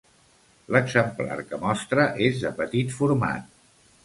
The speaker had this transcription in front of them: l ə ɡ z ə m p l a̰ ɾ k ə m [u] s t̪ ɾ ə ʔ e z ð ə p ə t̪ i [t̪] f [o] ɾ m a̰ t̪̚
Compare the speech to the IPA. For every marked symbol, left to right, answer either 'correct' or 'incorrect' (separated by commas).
incorrect, correct, incorrect